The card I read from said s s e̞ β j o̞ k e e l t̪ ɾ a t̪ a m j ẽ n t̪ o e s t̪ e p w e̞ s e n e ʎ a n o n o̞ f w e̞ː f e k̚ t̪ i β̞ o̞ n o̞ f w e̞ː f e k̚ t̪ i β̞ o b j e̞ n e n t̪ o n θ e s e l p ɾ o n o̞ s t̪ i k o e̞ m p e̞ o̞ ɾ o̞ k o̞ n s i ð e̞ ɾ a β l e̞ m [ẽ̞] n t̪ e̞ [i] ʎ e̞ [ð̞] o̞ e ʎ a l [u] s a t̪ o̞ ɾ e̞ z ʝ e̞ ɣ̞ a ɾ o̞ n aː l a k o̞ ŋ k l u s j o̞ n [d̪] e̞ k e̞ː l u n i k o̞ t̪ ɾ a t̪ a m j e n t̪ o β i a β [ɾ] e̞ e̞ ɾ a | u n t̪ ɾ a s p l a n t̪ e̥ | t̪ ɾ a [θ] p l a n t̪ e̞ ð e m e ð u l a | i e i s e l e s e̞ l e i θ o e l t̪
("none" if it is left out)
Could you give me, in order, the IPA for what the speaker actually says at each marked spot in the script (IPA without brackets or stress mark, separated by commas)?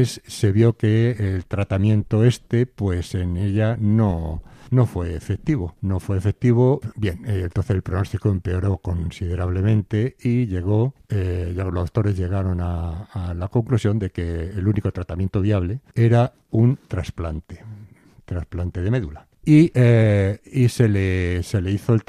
ẽ̞, i, ɣ̞, o, d̪, l, s